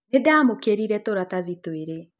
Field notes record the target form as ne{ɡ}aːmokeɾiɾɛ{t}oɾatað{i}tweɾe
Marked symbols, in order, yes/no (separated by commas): no, yes, yes